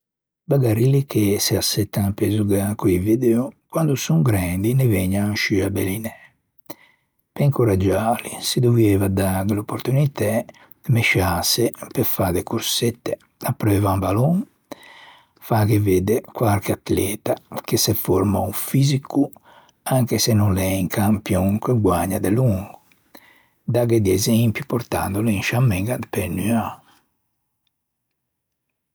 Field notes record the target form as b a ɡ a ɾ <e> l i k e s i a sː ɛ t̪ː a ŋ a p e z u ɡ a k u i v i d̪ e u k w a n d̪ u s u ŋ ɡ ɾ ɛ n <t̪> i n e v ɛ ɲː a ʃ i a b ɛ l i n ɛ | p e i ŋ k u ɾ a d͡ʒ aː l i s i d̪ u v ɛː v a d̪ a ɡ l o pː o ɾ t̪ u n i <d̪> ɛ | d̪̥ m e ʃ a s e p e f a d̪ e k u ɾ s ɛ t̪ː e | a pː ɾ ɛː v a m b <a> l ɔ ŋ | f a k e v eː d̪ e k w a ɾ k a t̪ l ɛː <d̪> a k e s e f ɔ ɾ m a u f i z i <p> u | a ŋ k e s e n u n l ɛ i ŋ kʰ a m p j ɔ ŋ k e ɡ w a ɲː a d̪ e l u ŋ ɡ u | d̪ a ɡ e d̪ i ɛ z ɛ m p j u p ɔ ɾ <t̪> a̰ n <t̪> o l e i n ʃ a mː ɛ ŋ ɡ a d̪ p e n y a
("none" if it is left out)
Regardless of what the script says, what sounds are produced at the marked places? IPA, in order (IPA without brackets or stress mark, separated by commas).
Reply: i, d̪, t̪, a, t̪, k, t̪, d̪